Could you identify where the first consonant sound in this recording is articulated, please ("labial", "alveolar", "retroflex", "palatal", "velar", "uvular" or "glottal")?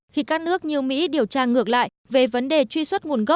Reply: velar